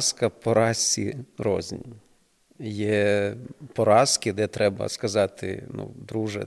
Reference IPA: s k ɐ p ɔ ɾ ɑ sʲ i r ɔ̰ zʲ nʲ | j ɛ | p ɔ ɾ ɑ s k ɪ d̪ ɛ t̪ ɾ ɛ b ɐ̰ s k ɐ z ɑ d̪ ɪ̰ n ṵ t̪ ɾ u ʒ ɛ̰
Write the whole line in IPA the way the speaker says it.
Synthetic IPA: s k ɐ p ɔ ɾ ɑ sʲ i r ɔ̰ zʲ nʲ | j ɛ | p ɔ ɾ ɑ s k ɪ d̪ ɛ t̪ ɾ ɛ b ɐ̰ s k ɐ z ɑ t̪ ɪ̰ n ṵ d̪ ɾ u ʒ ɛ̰